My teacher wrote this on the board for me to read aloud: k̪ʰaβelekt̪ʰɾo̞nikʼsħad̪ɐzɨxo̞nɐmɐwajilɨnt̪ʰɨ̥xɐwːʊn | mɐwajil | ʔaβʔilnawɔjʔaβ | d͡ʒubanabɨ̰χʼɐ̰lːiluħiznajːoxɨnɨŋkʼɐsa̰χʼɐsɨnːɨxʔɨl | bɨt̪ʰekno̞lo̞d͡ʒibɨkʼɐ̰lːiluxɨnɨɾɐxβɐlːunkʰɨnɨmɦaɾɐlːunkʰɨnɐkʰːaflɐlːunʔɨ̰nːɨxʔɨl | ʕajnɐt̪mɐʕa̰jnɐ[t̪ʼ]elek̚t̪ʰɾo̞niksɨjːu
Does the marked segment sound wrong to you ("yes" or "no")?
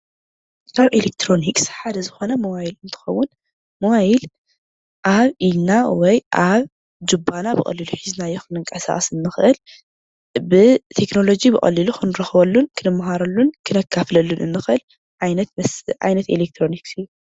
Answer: yes